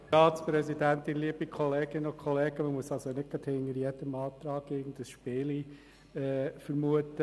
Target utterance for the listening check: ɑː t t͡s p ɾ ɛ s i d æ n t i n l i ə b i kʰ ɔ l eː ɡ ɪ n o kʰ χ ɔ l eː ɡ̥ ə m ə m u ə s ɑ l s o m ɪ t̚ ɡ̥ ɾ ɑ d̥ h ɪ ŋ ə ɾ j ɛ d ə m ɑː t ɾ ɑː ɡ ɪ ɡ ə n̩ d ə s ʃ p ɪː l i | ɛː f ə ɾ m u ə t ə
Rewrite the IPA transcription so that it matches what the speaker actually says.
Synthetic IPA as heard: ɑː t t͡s p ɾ ɛ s i d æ n t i n l i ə b i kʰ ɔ l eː ɡ ɪ n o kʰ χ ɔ l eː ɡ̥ ə m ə m u ə s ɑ l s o n ɪ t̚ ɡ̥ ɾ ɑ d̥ h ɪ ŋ ə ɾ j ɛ d ə m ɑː t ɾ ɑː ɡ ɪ ɡ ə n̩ d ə s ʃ p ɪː l i | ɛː f ə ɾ m u ə t ə